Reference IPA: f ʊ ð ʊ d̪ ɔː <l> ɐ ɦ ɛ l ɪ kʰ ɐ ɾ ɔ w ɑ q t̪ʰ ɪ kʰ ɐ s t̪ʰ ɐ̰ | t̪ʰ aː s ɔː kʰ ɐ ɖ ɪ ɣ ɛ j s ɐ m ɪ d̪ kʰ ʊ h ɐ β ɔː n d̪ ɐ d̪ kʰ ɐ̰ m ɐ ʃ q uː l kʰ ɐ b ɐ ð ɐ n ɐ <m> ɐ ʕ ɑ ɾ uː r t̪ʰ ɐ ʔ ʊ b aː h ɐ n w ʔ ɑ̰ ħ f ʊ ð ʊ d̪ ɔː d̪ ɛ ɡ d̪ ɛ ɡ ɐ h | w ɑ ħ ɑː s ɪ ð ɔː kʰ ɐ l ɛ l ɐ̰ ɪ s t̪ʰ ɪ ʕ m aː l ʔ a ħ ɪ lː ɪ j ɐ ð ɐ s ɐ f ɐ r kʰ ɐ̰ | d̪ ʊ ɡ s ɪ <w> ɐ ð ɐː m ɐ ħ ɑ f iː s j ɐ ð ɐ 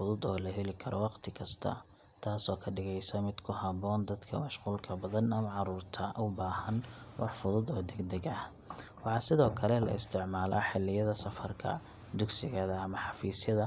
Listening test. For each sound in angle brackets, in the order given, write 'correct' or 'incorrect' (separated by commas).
correct, correct, incorrect